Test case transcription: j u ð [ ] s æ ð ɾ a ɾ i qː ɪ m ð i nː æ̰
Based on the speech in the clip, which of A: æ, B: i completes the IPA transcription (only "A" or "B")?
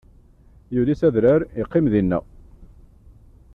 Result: B